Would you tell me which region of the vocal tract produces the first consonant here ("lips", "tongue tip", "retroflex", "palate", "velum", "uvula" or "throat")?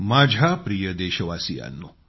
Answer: lips